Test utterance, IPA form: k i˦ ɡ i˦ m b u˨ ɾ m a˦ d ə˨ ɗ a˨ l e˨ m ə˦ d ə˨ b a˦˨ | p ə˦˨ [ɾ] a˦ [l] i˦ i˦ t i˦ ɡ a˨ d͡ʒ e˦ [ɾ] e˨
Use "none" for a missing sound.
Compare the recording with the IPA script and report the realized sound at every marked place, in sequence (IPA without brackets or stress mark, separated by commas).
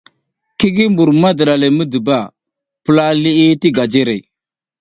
l, l, ɾ